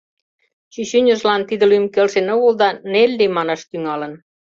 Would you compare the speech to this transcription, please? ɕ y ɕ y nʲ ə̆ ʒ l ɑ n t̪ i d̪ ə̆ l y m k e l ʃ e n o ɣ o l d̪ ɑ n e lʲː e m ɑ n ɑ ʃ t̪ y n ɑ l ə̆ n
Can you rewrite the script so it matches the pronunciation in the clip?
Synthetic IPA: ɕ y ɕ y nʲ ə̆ ʒ l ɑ n t̪ i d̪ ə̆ l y m k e l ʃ e n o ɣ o l d̪ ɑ n e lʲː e m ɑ n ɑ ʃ t̪ y ŋ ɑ l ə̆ n

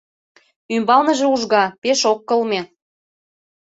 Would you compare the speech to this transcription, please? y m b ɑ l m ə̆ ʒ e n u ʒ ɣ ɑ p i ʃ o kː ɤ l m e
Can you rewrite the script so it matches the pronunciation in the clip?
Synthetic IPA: y m b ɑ l n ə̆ ʒ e u ʒ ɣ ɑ p e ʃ o kː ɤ l m e

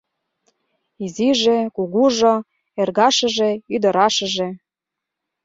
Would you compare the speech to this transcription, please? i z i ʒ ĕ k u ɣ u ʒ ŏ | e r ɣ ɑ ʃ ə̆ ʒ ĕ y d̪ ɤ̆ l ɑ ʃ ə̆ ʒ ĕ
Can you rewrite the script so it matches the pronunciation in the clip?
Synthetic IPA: i z i ʒ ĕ k u ɣ u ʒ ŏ | e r ɣ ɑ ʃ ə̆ ʒ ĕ y d̪ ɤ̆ ɾ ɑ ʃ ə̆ ʒ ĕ

